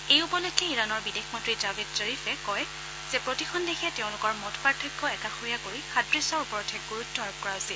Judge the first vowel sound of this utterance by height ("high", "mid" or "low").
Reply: mid